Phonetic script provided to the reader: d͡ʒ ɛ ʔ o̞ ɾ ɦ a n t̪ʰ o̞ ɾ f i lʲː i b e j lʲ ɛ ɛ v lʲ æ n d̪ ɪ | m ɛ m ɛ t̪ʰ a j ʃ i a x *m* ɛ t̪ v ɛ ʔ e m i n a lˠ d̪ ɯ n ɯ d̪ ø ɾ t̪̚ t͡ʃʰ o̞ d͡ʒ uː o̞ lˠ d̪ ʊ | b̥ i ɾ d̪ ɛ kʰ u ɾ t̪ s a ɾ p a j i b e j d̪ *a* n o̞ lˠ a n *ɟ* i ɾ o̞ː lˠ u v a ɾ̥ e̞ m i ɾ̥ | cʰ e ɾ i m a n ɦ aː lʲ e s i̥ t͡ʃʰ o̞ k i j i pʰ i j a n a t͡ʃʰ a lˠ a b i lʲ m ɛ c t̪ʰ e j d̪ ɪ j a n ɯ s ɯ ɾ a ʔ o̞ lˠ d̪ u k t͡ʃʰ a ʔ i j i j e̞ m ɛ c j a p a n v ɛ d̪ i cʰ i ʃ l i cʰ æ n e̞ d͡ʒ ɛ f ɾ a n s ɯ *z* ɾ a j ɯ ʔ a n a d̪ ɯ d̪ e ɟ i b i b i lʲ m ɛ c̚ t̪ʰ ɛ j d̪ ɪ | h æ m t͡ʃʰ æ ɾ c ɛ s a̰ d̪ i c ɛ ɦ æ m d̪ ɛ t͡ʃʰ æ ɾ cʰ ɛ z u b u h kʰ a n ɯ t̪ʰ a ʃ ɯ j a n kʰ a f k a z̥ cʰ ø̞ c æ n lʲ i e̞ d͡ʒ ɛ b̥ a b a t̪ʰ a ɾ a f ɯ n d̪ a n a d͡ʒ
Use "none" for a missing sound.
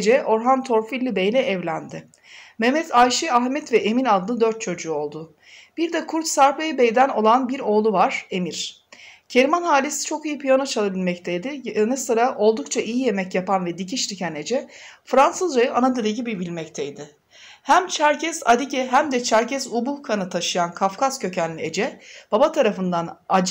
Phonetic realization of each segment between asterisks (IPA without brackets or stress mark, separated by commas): m, æ, b, z